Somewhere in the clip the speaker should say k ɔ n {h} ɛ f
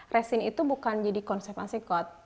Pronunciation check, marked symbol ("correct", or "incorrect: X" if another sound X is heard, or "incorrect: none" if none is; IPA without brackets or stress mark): incorrect: s